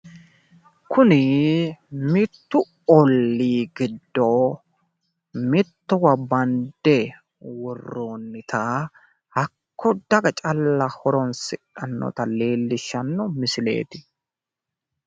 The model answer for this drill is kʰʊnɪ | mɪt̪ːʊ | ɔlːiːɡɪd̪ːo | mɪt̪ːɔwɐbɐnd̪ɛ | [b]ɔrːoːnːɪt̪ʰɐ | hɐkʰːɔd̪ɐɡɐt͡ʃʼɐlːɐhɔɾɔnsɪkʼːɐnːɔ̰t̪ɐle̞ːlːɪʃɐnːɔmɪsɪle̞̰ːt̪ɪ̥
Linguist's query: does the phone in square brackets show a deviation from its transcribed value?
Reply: yes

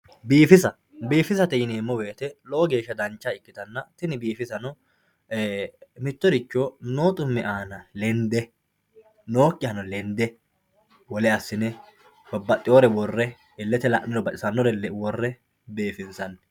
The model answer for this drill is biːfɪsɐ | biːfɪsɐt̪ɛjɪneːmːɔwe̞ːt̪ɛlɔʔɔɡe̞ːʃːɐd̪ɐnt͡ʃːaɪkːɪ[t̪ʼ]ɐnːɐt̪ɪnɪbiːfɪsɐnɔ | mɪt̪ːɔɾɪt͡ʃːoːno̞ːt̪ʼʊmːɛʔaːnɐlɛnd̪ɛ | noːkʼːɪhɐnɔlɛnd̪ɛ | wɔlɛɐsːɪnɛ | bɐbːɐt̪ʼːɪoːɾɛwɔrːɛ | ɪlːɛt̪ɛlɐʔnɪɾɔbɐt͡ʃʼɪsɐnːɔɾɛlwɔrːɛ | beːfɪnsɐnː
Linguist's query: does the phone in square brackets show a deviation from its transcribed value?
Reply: yes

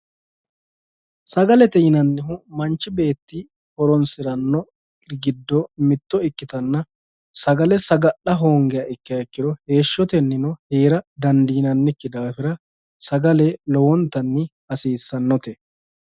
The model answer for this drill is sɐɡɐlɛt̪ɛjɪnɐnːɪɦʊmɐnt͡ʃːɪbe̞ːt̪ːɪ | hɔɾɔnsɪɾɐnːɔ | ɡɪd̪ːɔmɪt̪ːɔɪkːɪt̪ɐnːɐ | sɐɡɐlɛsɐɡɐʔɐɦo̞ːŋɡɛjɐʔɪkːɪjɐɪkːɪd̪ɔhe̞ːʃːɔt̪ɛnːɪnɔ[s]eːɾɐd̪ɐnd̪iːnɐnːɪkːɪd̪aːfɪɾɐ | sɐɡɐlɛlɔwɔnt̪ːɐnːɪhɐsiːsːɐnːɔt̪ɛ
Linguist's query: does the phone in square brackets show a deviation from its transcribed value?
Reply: yes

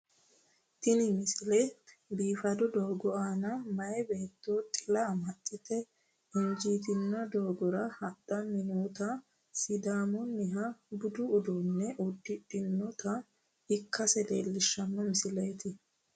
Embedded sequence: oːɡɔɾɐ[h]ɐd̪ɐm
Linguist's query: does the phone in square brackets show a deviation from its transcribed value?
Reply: no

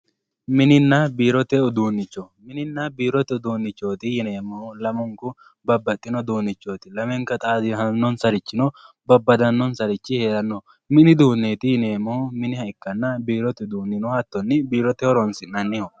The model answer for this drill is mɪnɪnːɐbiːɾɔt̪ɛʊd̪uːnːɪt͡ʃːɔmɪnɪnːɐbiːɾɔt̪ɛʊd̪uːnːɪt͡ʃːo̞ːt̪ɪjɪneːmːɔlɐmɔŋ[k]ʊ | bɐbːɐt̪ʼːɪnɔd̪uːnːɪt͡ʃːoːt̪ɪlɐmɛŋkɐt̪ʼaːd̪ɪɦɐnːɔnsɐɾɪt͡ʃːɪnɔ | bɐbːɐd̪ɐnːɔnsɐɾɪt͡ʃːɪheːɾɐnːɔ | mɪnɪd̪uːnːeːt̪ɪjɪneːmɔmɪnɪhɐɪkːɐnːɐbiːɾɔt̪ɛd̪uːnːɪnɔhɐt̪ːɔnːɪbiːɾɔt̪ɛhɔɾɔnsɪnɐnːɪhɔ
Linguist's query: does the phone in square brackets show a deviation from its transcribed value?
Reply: no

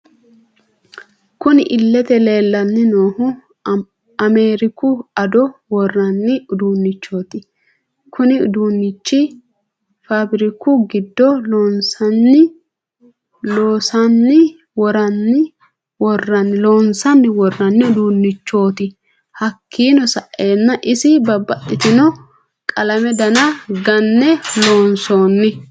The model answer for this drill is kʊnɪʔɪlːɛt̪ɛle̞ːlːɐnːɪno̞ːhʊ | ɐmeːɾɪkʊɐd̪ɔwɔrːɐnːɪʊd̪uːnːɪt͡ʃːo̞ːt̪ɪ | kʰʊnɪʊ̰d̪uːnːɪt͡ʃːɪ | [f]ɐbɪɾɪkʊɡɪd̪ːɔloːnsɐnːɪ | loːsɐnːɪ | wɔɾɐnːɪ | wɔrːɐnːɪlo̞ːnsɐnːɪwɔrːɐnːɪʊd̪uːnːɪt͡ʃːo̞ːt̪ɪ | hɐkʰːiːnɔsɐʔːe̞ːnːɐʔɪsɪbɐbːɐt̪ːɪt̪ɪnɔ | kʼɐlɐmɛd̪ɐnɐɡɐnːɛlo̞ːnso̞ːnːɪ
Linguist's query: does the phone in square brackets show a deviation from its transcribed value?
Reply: no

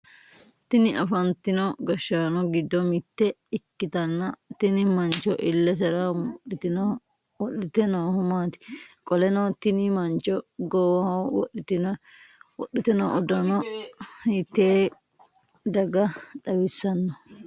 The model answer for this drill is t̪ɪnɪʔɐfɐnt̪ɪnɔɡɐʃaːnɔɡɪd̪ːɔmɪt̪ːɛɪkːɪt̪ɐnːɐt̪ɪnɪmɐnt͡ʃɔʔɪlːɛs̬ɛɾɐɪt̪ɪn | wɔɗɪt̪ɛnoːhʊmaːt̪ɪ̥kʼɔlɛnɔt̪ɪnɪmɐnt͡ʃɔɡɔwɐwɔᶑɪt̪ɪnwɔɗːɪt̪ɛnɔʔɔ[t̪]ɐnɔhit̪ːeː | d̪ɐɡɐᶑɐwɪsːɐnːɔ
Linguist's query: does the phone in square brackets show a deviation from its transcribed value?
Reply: yes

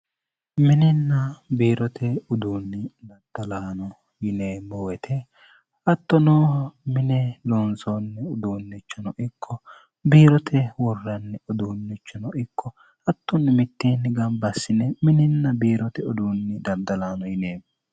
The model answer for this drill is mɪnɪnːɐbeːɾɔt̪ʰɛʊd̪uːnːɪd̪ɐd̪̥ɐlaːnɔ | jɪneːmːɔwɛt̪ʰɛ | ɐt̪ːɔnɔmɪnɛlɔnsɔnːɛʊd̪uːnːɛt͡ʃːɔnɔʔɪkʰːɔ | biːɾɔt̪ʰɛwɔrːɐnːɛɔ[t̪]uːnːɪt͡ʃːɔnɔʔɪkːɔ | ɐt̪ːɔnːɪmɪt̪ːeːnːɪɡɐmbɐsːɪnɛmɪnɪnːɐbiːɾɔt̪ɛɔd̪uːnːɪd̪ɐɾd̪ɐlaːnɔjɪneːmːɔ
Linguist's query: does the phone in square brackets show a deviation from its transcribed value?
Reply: yes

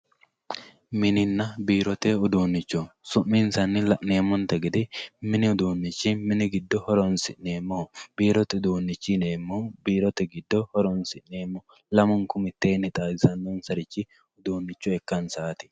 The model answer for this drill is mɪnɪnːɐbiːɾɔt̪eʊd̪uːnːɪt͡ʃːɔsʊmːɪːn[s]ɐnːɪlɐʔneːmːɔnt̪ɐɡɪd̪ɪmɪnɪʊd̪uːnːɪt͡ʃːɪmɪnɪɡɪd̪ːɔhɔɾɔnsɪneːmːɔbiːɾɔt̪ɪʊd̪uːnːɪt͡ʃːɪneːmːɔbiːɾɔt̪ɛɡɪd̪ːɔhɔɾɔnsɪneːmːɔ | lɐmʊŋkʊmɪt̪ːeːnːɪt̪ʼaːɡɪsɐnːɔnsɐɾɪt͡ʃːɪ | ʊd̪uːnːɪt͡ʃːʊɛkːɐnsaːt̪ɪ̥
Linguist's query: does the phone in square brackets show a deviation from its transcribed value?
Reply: no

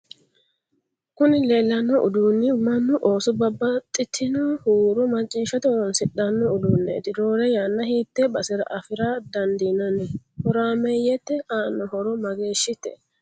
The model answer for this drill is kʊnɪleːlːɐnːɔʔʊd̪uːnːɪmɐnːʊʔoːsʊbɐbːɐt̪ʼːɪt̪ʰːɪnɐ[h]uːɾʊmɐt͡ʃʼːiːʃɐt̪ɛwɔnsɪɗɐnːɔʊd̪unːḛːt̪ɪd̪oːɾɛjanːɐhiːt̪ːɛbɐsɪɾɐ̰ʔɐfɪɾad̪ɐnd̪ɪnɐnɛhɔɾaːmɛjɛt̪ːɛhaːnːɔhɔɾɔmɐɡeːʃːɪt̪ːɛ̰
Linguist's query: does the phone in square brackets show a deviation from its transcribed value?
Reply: no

